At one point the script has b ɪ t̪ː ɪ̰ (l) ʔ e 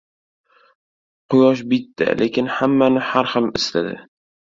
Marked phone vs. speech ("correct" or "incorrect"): correct